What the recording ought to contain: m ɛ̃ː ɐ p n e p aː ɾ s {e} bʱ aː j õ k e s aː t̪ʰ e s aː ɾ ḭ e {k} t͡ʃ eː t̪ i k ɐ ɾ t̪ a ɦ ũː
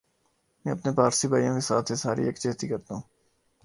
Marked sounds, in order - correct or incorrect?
incorrect, correct

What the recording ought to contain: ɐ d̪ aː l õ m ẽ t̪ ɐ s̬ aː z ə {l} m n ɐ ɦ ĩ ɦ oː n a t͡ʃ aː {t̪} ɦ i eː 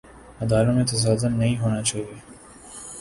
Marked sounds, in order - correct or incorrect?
incorrect, incorrect

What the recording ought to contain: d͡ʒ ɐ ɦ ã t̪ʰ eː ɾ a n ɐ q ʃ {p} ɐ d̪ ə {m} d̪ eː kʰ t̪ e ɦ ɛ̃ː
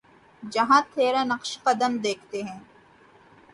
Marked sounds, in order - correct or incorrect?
incorrect, correct

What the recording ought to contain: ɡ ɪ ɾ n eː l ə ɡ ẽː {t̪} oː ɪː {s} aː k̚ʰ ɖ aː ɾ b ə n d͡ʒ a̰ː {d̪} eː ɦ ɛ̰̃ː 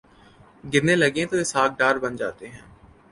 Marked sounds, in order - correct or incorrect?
correct, correct, incorrect

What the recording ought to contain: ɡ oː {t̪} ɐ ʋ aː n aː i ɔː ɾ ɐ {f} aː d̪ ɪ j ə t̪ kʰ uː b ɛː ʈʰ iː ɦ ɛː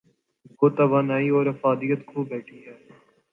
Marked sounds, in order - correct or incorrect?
correct, correct

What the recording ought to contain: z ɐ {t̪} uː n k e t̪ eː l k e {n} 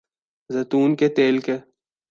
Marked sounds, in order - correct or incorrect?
correct, incorrect

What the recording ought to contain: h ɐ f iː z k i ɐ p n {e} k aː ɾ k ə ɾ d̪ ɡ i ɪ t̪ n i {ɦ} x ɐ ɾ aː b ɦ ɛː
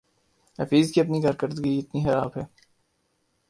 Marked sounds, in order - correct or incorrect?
incorrect, incorrect

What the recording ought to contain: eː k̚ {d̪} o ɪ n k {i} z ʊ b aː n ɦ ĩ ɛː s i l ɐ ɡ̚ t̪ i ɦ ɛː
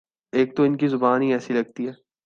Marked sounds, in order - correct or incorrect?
incorrect, correct

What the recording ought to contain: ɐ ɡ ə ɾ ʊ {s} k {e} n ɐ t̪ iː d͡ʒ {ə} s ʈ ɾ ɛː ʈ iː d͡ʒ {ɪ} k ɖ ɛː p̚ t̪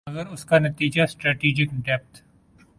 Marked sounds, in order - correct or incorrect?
correct, incorrect, incorrect, correct

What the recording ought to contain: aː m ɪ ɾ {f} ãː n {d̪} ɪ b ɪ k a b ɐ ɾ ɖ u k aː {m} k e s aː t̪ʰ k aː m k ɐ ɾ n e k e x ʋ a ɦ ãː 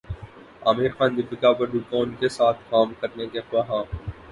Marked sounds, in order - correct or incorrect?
incorrect, correct, incorrect

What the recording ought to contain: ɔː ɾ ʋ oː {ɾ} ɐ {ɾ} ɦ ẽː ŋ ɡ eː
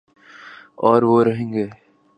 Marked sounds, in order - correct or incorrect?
correct, incorrect

